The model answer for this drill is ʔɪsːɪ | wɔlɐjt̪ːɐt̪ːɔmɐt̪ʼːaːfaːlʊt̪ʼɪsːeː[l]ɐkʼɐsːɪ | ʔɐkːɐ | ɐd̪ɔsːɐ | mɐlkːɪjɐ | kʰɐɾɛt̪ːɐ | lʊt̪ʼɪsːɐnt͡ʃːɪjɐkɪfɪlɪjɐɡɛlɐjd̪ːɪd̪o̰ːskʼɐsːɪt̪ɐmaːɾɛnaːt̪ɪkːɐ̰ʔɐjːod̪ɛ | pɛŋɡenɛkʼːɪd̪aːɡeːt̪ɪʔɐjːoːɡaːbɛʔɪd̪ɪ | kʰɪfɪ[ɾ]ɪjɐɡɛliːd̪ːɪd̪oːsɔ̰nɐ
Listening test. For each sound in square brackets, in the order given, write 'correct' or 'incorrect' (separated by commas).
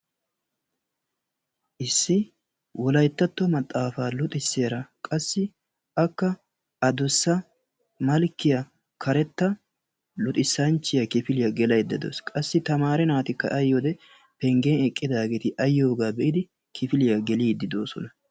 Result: incorrect, incorrect